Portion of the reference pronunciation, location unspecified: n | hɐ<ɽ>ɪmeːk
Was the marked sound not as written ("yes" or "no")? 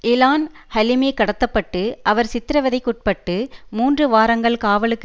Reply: yes